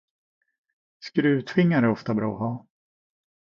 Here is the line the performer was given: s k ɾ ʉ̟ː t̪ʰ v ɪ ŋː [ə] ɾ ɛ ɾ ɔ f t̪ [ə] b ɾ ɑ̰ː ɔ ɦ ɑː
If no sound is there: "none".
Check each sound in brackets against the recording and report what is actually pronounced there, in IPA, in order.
a, a

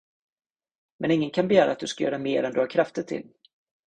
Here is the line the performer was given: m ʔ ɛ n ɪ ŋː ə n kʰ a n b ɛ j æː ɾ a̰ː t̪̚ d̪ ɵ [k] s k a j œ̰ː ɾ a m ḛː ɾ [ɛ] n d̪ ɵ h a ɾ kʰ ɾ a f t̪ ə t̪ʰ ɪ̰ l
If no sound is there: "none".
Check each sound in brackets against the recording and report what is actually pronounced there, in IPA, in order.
none, ɛ

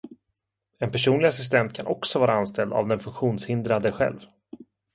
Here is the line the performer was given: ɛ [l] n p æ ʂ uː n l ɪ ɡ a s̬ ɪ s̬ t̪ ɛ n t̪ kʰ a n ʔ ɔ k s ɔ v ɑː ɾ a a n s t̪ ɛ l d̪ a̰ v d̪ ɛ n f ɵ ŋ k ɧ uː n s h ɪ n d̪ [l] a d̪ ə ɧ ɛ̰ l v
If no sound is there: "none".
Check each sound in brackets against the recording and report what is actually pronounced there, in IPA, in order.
none, ɾ

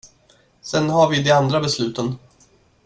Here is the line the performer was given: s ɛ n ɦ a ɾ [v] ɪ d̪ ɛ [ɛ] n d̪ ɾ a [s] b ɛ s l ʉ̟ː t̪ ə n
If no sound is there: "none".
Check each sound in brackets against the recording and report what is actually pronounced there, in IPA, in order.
v, a, none

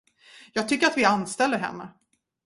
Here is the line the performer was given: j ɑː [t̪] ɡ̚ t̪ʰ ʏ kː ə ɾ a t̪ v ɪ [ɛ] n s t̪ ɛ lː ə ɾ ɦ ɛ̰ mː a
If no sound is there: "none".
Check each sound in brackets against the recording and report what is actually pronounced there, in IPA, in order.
none, a

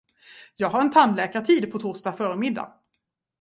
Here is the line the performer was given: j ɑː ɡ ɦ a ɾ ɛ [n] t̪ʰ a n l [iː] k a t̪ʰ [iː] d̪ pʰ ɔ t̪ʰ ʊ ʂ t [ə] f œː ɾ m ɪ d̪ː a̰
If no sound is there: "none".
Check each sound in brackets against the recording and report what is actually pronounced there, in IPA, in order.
n, ɛː, iː, a

